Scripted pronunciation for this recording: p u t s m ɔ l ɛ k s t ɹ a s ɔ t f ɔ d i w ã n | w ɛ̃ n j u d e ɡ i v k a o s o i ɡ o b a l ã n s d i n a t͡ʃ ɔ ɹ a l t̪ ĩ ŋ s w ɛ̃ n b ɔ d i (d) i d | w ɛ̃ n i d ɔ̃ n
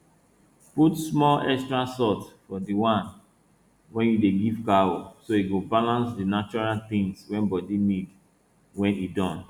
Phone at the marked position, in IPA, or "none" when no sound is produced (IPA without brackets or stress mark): n